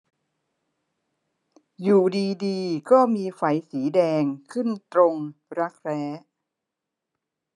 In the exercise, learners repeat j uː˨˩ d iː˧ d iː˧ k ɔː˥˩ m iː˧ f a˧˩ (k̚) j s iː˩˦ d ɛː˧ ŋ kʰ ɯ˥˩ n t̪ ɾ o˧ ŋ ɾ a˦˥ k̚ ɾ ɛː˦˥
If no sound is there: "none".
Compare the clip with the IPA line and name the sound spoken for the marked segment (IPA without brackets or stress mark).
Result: none